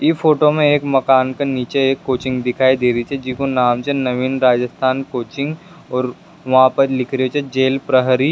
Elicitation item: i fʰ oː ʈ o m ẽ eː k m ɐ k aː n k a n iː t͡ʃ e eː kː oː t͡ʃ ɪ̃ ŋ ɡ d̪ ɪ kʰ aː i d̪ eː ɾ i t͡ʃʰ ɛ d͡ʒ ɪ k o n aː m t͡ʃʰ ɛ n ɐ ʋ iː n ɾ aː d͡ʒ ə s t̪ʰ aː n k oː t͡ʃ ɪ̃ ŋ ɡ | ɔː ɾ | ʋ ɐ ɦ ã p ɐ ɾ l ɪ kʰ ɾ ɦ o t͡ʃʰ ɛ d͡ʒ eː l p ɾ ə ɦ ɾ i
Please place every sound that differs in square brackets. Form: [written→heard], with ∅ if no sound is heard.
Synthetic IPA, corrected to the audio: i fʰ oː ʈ o m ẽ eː k m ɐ k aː n k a n iː t͡ʃ e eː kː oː t͡ʃ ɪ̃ ŋ ɡ d̪ ɪ kʰ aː i d̪ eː ɾ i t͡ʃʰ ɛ d͡ʒ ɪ k o n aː m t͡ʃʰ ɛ n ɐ ʋ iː n ɾ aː d͡ʒ ə s t̪ʰ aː n k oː t͡ʃ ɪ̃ ŋ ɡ | ɔː ɾ | ʋ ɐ ɦ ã p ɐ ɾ l ɪ kʰ ɾ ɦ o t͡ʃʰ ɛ d͡ʒ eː l p ɾ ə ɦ ɾ i